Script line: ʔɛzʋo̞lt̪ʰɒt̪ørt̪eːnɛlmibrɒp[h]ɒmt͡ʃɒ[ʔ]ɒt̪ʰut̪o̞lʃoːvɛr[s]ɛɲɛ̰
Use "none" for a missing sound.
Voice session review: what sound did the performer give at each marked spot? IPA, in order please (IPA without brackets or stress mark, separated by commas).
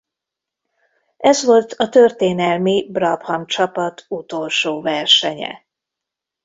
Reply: h, p, ʃ